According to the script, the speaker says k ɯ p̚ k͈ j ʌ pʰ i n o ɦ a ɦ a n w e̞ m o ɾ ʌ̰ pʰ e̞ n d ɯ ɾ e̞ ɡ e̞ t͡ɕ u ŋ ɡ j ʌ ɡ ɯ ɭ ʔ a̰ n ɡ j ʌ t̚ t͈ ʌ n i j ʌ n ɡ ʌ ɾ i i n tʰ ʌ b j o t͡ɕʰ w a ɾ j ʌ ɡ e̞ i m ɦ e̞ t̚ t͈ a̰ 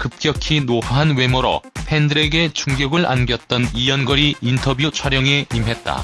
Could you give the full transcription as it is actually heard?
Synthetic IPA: k ɯ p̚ k͈ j ʌ kʰ i n o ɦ a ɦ a n w e̞ m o ɾ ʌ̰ pʰ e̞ n d ɯ ɾ e̞ ɡ e̞ t͡ɕ u ŋ ɡ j ʌ ɡ ɯ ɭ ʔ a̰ n ɡ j ʌ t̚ t͈ ʌ n i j ʌ n ɡ ʌ ɾ i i n tʰ ʌ b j u t͡ɕʰ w a ɾ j ʌ ŋ e̞ i m ɦ e̞ t̚ t͈ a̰